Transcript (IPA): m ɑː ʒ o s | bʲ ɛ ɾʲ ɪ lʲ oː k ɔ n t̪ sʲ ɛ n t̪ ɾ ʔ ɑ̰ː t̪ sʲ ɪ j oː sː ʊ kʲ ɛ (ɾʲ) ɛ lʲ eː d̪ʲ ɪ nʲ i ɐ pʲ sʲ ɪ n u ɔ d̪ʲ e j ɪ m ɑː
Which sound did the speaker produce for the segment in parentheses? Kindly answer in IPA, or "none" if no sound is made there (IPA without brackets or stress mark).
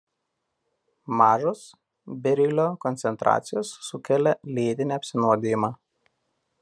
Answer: lʲ